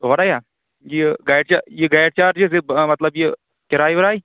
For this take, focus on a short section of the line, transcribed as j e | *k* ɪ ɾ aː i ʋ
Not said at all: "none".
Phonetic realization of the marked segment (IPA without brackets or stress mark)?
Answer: k